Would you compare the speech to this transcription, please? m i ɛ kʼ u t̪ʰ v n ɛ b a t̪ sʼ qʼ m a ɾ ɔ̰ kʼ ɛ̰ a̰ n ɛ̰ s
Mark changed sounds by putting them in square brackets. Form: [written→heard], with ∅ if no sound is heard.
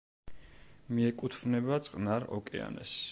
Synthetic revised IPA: m i ɛ kʼ u t̪ʰ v n ɛ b a t̪ sʼ qʼ [m→n] a ɾ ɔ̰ kʼ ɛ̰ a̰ n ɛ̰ s